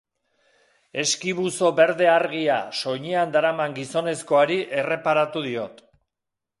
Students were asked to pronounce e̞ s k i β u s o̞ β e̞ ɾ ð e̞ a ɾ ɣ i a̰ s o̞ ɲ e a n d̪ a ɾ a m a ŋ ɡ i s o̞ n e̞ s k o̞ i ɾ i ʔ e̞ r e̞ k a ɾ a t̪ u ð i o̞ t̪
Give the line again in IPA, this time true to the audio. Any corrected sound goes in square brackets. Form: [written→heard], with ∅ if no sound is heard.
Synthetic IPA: e̞ s k i β u s o̞ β e̞ ɾ ð e̞ a ɾ ɣ i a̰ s o̞ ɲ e a n d̪ a ɾ a m a ŋ ɡ i s o̞ n e̞ s k o̞ [i→a] ɾ i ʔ e̞ r e̞ [k→p] a ɾ a t̪ u ð i o̞ t̪